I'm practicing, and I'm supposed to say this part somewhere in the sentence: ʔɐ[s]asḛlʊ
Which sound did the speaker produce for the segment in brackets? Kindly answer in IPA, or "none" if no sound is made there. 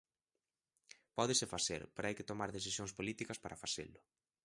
f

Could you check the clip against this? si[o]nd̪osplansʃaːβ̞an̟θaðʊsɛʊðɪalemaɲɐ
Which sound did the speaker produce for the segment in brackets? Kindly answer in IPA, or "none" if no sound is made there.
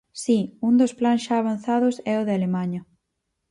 u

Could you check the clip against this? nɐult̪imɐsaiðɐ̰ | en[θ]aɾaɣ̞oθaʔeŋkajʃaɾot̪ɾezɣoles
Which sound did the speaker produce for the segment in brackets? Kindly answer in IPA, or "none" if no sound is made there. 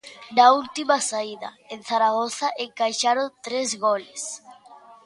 θ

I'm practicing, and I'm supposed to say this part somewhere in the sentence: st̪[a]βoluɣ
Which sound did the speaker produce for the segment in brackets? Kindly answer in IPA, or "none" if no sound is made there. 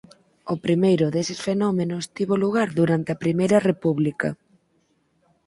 i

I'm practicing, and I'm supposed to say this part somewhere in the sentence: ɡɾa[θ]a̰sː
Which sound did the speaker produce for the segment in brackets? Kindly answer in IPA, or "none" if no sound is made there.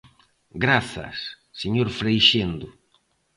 θ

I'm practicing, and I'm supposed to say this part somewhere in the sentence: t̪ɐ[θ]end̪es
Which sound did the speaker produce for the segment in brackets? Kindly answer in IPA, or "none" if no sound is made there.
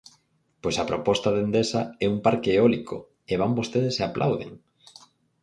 ð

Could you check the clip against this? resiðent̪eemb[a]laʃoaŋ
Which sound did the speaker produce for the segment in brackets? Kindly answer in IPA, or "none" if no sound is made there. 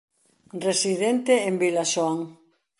i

